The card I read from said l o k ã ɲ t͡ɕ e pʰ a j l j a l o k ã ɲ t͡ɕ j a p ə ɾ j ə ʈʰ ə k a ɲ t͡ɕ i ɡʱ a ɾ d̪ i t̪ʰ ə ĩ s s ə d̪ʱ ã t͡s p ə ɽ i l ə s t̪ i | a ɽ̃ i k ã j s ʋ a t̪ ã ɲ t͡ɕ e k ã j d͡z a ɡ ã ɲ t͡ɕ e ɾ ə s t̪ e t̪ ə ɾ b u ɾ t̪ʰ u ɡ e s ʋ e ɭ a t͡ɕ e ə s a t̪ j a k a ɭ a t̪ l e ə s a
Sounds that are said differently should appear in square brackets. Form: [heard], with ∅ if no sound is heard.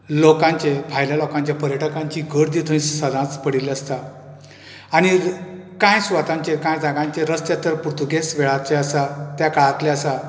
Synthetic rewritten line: l o k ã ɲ t͡ɕ e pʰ a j l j a l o k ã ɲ t͡ɕ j a p ə ɾ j ə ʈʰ ə k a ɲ t͡ɕ i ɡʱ [ə] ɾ d̪ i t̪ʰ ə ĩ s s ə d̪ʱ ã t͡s p ə ɽ i l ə s t̪ [a] | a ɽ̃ i k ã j s ʋ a t̪ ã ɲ t͡ɕ e k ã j d͡z a ɡ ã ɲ t͡ɕ e ɾ ə s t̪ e t̪ ə ɾ [p] u ɾ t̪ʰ u ɡ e s ʋ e ɭ a t͡ɕ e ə s a t̪ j a k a ɭ a t̪ l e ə s a